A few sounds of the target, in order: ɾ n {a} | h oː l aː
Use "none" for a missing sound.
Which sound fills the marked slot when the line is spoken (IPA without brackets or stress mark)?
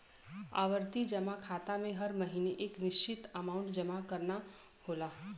a